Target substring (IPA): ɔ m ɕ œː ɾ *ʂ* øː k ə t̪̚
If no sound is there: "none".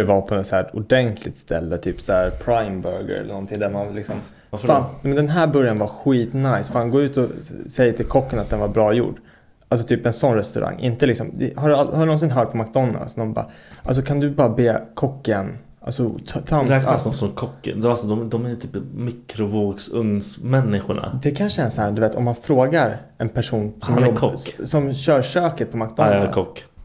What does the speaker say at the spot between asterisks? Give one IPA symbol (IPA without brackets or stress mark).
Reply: ʂ